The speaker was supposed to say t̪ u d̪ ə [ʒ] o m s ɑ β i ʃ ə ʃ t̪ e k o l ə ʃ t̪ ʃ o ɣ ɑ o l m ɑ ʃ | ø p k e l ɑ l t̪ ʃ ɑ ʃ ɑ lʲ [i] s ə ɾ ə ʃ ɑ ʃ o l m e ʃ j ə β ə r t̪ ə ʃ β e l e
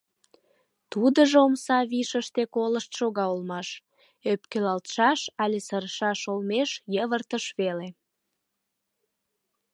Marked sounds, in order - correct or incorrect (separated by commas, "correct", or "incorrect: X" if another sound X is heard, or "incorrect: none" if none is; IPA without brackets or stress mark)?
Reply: correct, incorrect: e